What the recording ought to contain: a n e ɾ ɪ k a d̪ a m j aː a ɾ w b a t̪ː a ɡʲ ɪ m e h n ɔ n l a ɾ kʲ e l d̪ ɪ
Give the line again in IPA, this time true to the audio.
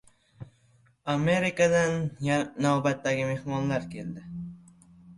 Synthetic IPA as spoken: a m e ɾ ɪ k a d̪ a n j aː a w b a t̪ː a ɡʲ ɪ m e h m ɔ n l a ɾ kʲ e l d̪ ɪ